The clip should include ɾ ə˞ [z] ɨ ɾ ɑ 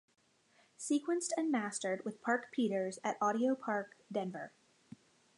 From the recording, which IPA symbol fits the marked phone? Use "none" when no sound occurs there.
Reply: z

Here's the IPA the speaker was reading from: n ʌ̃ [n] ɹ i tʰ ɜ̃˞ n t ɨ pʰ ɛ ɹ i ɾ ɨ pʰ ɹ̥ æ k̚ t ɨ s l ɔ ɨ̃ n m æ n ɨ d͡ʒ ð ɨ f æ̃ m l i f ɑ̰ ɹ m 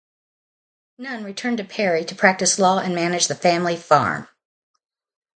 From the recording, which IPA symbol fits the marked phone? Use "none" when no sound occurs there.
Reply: n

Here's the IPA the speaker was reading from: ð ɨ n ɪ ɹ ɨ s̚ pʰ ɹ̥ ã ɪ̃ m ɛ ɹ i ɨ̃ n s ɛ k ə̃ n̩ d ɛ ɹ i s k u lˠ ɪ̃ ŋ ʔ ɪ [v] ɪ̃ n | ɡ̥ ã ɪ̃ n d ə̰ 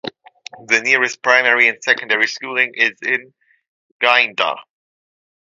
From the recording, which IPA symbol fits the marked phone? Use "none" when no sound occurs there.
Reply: z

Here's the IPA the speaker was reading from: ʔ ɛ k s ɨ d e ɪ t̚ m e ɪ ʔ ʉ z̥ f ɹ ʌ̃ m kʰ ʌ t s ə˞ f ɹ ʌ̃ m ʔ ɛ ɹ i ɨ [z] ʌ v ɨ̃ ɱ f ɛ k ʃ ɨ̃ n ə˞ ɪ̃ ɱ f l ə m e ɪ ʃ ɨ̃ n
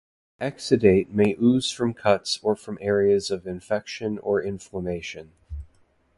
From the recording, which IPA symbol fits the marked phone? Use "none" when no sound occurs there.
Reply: z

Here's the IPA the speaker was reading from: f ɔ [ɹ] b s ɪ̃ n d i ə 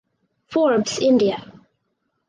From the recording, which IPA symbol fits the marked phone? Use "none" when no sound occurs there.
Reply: ɹ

